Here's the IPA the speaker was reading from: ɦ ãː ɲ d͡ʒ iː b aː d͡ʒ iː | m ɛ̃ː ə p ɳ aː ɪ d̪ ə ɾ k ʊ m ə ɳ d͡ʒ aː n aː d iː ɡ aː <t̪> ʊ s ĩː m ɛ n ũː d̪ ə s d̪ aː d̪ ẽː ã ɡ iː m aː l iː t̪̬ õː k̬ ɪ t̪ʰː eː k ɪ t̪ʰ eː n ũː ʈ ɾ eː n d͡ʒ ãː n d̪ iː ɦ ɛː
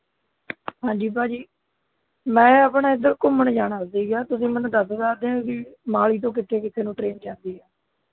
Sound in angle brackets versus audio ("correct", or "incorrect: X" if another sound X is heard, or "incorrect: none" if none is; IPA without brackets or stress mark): correct